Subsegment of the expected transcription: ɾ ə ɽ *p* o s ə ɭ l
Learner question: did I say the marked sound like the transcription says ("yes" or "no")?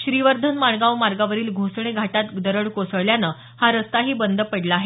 no